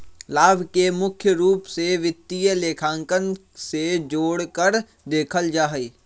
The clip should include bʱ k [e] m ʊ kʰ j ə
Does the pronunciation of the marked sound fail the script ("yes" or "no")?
no